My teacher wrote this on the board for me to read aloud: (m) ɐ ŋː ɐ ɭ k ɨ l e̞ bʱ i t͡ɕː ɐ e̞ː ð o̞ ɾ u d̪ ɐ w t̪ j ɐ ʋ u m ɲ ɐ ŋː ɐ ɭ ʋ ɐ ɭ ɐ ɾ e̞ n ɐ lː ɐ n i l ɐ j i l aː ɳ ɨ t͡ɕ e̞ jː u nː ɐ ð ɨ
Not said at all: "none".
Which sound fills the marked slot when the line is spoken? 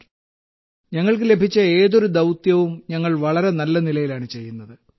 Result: ɲ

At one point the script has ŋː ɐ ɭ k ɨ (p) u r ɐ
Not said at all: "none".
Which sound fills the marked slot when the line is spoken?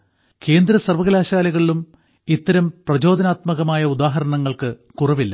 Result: k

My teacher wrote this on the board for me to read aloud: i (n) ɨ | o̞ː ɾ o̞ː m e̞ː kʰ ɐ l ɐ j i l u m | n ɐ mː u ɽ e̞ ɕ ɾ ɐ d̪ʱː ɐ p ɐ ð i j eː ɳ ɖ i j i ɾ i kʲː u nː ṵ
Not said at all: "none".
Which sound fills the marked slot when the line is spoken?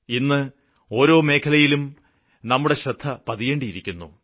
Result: nː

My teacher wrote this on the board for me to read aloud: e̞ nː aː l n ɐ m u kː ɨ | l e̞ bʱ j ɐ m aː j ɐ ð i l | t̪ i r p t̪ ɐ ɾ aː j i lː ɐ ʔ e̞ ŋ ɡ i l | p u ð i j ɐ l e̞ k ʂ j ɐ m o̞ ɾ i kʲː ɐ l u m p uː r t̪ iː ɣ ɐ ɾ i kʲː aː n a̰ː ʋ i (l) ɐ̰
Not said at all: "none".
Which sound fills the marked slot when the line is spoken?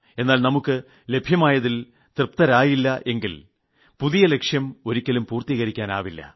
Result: lː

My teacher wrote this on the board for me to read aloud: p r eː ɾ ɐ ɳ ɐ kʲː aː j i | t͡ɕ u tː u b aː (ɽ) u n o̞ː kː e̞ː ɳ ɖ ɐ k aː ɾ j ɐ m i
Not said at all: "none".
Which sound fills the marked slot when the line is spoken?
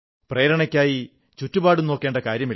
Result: ɽ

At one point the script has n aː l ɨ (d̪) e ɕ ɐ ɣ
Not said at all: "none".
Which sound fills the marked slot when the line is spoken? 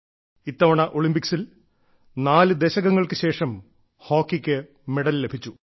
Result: d̪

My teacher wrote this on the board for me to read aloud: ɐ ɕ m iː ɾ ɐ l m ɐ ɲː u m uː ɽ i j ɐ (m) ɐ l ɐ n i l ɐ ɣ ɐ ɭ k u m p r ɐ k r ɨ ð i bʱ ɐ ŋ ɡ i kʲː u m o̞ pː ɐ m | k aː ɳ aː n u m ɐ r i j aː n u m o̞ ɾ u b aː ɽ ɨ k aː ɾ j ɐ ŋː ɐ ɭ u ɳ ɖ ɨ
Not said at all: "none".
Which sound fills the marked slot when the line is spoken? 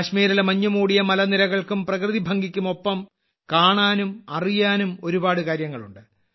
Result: m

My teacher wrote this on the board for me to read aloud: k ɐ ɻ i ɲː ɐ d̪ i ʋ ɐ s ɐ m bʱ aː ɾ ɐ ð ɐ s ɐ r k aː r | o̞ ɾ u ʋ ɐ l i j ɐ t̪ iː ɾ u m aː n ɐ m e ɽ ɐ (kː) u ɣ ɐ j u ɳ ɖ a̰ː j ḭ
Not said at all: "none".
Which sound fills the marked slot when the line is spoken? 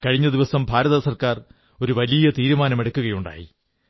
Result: kː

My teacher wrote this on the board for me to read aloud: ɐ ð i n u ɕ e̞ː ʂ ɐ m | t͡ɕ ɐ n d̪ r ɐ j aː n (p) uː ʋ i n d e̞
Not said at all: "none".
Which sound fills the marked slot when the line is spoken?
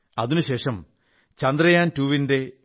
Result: t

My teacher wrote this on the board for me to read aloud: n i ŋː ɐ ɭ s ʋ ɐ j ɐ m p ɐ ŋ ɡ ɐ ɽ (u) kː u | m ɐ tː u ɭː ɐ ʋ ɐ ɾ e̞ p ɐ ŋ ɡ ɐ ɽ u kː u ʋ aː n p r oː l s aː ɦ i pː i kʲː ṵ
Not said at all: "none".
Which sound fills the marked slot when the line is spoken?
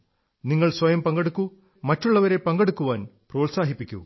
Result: u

